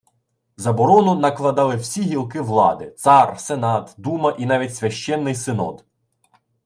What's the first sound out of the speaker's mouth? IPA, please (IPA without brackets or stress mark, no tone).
z